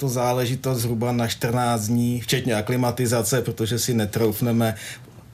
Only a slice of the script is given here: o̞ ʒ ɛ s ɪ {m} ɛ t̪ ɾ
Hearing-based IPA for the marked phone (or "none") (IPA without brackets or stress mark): n